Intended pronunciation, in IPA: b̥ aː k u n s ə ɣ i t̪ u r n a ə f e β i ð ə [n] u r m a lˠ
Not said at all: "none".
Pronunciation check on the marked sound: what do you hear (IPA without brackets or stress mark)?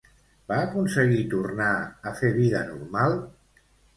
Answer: n